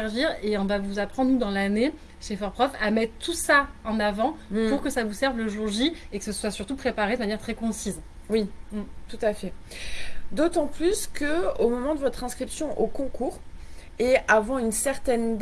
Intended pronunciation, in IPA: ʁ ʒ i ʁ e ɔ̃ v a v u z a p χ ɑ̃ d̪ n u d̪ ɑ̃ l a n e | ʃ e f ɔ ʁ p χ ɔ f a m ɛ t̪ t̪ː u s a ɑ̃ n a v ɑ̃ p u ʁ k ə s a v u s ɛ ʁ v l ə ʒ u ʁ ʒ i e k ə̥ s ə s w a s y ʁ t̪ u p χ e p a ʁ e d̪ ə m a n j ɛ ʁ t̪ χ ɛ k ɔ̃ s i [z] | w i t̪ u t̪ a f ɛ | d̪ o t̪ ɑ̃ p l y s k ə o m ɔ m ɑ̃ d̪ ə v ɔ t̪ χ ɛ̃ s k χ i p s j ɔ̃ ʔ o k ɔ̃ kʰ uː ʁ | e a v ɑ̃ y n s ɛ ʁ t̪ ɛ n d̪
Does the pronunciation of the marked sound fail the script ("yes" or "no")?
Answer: no